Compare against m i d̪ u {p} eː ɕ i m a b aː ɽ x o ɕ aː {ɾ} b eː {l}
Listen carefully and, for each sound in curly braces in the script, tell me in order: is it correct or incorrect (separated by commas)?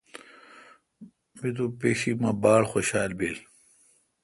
correct, incorrect, correct